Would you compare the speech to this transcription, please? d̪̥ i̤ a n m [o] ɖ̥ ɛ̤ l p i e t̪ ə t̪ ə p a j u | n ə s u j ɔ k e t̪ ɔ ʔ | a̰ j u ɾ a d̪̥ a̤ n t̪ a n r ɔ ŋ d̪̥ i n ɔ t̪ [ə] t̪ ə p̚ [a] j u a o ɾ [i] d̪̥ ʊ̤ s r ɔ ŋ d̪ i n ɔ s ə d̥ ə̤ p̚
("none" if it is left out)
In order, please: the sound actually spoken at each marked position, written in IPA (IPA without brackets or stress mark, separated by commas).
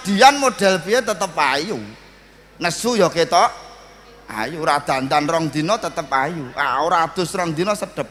o, ə, a, a